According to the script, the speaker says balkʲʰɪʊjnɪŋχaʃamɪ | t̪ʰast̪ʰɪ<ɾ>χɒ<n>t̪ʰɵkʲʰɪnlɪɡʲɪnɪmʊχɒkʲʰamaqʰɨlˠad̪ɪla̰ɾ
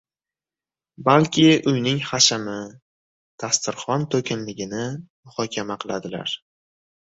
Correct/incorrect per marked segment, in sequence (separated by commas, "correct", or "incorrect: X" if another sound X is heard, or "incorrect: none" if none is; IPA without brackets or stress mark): correct, correct